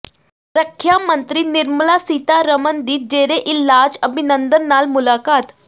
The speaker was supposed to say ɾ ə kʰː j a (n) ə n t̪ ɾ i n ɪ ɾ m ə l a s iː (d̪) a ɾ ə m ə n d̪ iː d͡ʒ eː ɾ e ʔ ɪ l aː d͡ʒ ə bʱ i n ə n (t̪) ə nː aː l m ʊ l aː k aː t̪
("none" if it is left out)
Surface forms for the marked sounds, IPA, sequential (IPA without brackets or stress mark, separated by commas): m, t̪, d̪